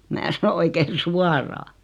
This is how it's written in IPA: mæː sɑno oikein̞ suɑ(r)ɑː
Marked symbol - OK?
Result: yes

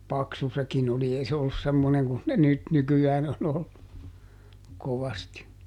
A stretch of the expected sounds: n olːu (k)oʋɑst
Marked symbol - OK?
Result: yes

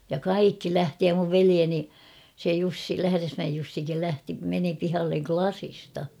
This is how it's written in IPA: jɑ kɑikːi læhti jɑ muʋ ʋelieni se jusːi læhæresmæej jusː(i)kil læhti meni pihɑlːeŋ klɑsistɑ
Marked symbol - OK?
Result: yes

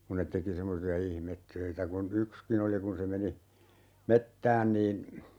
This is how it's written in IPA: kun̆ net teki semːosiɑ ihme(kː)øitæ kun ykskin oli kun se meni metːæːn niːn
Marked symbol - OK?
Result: no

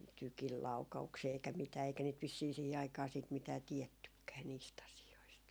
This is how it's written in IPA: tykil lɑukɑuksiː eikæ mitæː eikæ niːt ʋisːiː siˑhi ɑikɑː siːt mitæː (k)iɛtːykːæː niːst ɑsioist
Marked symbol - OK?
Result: no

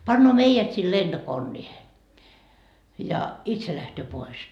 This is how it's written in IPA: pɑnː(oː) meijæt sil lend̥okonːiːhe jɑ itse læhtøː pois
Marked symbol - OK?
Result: yes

